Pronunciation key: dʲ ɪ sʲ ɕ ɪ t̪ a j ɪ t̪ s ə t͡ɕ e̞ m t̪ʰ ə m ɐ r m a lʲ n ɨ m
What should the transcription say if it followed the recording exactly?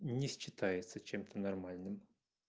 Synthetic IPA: nʲ ɪ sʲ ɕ ɪ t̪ a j ɪ t̪ s ə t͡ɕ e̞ m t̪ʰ ə n ɐ r m a lʲ n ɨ m

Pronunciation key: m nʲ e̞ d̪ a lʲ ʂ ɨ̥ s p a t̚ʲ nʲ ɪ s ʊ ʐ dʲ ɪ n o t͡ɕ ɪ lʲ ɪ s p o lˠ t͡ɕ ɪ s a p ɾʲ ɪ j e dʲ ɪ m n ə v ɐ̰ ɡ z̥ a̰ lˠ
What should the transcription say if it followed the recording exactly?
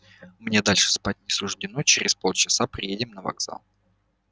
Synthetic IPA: m nʲ e̞ d̪ a lʲ ʂ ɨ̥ s p a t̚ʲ nʲ ɪ s ʊ ʐ dʲ ɪ n o t͡ɕ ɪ ɾʲ ɪ s p o lˠ t͡ɕ ɪ s a p ɾʲ ɪ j e dʲ ɪ m n ə v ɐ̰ ɡ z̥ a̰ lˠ

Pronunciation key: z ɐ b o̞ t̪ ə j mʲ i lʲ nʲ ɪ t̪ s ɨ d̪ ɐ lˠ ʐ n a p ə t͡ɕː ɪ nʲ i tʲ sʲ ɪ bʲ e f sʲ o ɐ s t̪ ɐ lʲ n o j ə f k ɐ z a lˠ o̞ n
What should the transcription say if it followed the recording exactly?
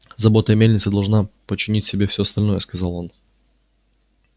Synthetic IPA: z ɐ b o̞ t̪ ə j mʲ e lʲ nʲ ɪ t̪ s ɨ d̪ ɐ lˠ ʐ n a p ə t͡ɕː ɪ nʲ i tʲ sʲ ɪ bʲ e f sʲ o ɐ s t̪ ɐ lʲ n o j ə s k ɐ z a lˠ o̞ n

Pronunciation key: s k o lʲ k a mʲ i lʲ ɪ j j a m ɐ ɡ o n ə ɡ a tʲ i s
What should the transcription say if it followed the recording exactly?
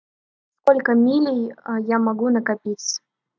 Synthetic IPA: s k o lʲ k ə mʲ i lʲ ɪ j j a m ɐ ɡ u n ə k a pʲ i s

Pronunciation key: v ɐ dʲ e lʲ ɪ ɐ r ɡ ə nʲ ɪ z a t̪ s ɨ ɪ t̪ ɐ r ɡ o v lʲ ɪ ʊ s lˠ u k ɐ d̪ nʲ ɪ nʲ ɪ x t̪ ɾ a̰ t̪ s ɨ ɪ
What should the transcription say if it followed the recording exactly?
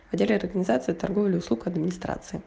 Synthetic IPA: v ɐ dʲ e lʲ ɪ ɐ r ɡ ə nʲ ɪ z a t̪ s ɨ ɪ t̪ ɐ r ɡ o v lʲ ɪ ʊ s lˠ u k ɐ d̪ mʲ ɪ nʲ ɪ s t̪ ɾ a̰ t̪ s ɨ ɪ

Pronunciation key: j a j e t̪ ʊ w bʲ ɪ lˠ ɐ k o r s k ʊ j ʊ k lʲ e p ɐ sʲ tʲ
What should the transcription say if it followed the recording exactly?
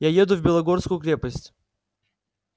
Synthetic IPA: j a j e d̪ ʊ v bʲ ɪ lˠ ɐ ɡ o r s k ʊ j ʊ k ɾʲ e p ə sʲ tʲ

